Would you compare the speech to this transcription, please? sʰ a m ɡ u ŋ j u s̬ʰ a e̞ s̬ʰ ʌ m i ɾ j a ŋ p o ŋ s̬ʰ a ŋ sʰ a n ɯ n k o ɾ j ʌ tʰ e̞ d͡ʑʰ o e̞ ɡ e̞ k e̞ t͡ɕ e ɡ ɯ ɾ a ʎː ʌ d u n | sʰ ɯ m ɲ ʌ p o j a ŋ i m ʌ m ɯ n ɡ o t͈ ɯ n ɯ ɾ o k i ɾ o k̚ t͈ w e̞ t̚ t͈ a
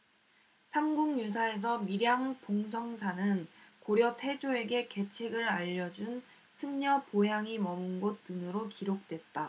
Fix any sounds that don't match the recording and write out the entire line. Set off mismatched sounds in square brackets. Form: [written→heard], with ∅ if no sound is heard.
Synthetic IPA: sʰ a m ɡ u ŋ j u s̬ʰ a e̞ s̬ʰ ʌ m i ɾ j a ŋ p o ŋ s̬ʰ [a→ʌ] ŋ sʰ a n ɯ n k o ɾ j ʌ tʰ e̞ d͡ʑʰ o e̞ ɡ e̞ k e̞ [t͡ɕ→t͡ɕʰ] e ɡ ɯ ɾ a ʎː ʌ [d→d͡ʑ] u n | sʰ ɯ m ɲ ʌ p o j a ŋ i m ʌ m ɯ n ɡ o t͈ ɯ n ɯ ɾ o k i ɾ o k̚ t͈ w e̞ t̚ t͈ a